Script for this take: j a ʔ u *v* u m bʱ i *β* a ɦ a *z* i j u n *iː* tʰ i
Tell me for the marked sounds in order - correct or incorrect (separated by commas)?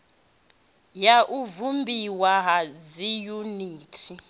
correct, incorrect, correct, correct